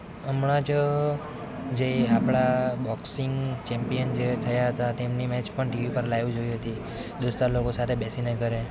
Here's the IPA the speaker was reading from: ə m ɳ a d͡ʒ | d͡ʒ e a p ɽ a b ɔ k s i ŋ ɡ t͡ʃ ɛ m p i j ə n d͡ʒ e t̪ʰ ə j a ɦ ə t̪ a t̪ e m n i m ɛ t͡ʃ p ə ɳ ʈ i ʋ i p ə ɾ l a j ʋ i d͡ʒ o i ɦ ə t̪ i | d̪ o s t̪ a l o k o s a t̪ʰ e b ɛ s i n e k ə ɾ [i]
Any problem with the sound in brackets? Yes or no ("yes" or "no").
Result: yes